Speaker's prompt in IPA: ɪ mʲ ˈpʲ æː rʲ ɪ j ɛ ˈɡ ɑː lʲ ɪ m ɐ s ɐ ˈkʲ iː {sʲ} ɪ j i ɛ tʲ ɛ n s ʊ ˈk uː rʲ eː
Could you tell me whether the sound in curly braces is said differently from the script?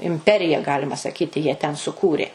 yes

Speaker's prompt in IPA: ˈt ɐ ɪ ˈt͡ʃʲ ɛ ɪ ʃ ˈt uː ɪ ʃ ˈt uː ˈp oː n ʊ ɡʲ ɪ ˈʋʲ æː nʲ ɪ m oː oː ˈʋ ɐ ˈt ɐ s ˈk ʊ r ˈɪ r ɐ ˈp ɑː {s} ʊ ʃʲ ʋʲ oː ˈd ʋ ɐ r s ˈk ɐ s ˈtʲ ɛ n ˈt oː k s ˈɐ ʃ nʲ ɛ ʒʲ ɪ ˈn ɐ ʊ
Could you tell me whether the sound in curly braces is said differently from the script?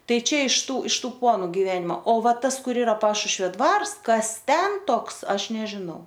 yes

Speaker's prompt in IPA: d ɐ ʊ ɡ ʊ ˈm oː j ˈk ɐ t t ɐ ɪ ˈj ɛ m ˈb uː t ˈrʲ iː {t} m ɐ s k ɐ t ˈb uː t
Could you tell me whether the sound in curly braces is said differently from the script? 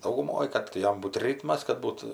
no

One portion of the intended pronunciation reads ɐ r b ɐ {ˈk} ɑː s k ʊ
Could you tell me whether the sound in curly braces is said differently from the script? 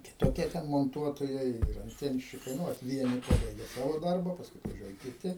yes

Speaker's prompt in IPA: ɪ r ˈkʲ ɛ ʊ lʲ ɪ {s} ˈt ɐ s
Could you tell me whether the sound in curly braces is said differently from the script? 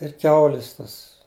no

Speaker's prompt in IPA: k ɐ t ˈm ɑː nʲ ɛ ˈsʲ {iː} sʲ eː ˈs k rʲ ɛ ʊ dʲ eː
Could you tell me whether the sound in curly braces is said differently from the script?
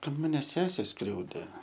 yes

